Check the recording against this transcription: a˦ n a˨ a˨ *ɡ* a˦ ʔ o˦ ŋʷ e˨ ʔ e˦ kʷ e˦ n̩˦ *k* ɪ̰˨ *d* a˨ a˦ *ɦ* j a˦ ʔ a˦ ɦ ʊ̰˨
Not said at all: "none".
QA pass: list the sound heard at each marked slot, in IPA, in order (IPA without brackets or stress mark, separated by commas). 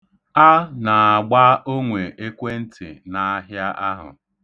ɡ͡b, t, n, ɦ